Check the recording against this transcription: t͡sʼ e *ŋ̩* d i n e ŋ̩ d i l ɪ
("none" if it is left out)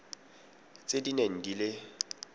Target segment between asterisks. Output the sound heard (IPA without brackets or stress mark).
none